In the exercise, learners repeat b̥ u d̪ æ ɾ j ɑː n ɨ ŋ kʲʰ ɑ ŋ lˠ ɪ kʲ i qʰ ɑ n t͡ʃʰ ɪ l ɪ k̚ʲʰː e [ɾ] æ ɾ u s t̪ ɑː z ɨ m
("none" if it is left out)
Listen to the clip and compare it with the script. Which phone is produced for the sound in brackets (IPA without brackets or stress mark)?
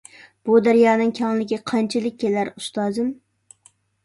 l